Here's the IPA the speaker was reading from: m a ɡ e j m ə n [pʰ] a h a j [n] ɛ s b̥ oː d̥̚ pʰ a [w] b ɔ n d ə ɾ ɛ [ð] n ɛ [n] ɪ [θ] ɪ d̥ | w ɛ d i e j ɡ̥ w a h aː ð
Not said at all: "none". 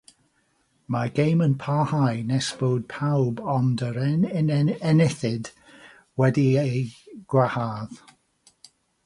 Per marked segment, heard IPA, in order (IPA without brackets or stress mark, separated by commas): pʰ, n, w, none, n, θ